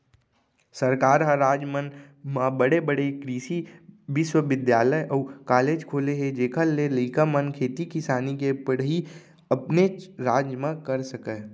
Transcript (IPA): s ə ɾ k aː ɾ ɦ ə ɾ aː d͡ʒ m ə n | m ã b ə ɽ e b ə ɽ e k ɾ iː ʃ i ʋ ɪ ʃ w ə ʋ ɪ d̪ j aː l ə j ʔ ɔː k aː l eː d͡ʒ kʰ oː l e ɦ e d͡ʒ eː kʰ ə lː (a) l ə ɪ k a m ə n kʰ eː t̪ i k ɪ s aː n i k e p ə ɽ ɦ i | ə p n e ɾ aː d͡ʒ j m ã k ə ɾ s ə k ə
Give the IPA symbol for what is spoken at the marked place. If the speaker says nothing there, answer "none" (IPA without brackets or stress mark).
e